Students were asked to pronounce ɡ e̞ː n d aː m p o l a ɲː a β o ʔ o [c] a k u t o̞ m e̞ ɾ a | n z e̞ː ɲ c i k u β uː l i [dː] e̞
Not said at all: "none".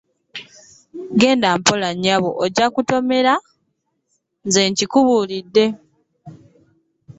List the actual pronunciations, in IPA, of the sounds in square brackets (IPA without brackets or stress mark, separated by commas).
ɟ, dː